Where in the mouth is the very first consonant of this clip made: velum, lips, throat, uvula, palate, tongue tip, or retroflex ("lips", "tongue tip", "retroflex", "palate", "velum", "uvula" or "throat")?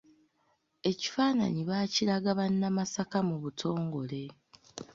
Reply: palate